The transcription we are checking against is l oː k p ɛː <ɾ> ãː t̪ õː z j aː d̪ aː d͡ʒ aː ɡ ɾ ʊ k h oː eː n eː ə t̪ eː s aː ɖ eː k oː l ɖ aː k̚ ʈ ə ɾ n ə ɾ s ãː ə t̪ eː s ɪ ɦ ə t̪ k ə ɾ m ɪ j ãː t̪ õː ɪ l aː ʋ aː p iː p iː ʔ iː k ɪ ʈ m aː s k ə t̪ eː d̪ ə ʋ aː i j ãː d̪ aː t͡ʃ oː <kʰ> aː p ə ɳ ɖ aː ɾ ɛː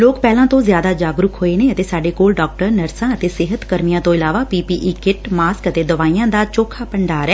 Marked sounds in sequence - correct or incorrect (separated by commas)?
incorrect, correct